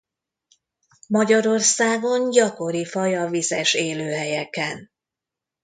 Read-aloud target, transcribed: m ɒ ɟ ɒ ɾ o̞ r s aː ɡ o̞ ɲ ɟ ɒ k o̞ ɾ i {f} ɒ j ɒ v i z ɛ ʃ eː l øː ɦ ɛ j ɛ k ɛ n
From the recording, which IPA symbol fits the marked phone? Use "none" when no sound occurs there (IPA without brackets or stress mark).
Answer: f